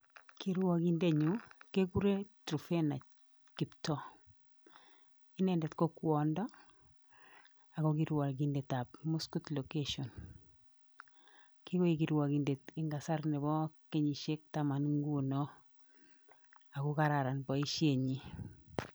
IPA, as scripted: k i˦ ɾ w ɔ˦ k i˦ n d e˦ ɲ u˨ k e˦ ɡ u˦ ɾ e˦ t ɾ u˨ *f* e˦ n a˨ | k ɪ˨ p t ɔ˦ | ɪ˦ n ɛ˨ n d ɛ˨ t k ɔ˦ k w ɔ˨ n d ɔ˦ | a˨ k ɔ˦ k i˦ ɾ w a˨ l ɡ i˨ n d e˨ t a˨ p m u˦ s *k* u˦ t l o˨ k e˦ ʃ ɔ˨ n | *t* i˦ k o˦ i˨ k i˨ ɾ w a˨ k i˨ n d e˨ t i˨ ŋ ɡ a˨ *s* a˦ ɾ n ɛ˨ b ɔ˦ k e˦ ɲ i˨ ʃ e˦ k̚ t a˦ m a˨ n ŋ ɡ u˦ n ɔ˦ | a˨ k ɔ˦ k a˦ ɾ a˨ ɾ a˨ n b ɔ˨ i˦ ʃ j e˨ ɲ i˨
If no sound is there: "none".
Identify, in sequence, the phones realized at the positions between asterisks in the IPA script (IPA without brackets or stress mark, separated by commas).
f, k, k, s